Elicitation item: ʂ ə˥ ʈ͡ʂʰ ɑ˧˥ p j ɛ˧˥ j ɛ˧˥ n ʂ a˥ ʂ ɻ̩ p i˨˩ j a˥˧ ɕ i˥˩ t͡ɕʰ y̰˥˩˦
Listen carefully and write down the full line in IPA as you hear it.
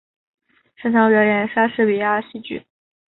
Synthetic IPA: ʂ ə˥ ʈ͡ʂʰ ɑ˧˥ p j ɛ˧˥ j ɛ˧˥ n ʂ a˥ ʂ ɻ̩ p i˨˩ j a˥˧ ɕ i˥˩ t͡ɕ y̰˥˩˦